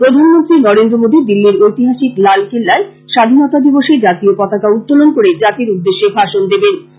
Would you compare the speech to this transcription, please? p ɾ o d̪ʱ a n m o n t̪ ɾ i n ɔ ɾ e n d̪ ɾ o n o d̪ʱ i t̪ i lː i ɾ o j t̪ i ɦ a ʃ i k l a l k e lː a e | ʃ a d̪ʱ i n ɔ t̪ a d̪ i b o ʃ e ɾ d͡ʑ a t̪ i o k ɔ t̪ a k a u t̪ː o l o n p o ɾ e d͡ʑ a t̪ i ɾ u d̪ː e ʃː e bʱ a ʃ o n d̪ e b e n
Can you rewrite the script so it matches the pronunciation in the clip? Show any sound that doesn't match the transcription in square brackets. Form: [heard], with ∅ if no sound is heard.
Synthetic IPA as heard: p ɾ o d̪ʱ a n m o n t̪ ɾ i n ɔ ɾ e n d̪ ɾ o [m] o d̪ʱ i [d̪] i lː i ɾ o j t̪ i ɦ a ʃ i k l a l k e lː a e | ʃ a d̪ʱ i n ɔ t̪ a d̪ i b o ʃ e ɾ d͡ʑ a t̪ i o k ɔ t̪ a k a u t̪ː o l o n [k] o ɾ e d͡ʑ a t̪ i ɾ u d̪ː e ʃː e bʱ a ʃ o n d̪ e b e n